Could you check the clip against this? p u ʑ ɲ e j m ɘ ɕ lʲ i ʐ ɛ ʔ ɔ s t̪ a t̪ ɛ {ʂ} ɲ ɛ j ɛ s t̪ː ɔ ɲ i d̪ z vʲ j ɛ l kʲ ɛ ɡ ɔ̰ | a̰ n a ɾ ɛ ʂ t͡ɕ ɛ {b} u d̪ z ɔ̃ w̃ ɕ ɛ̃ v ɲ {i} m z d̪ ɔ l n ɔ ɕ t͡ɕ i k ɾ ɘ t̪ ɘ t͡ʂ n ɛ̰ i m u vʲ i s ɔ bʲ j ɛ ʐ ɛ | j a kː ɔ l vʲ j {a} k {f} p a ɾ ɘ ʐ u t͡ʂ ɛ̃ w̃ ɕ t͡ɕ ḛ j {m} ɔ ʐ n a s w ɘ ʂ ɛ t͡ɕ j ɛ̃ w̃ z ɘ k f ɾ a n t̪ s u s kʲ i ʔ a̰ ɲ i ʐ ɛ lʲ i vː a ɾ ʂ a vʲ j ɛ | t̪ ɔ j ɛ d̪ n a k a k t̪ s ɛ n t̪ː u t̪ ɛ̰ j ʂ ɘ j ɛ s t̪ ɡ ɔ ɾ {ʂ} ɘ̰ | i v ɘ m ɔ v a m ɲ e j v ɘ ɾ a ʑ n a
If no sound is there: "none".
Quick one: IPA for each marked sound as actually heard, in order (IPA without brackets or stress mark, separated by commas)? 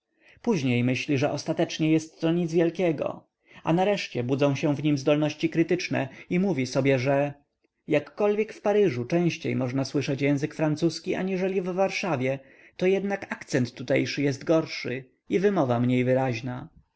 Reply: t͡ʂ, b, i, ɛ, f, m, ʂ